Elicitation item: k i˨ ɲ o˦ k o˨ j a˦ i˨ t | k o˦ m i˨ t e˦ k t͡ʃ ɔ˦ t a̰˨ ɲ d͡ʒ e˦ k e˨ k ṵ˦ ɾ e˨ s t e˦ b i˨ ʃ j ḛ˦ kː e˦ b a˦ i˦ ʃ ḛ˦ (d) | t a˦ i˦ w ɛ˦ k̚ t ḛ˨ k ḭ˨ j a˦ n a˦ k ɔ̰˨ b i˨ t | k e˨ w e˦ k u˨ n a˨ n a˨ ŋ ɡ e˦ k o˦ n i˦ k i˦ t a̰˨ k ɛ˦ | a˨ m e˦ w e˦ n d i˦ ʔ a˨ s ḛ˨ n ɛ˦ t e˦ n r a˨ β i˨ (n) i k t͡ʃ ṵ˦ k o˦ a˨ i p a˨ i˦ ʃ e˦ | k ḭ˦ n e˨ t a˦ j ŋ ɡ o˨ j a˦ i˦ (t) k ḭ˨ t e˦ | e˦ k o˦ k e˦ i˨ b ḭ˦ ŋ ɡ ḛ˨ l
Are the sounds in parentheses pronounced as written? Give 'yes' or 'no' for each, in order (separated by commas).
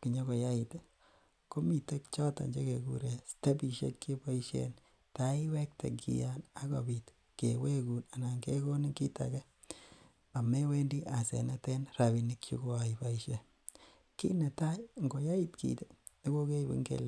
no, yes, yes